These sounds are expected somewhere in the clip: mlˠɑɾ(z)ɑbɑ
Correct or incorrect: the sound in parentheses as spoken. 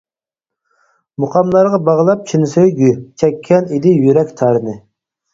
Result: incorrect: ʁ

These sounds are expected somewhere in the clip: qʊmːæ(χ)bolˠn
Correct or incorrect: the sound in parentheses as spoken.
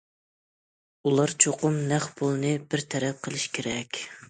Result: correct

